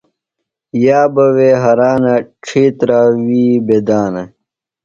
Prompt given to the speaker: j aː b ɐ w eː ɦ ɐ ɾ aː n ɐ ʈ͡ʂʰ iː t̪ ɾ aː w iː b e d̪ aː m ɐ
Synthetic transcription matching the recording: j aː b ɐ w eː ɦ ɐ ɾ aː n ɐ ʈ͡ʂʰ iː t̪ ɾ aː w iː b e d̪ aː n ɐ